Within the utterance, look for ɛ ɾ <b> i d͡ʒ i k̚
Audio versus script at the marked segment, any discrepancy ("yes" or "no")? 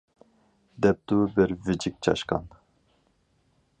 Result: yes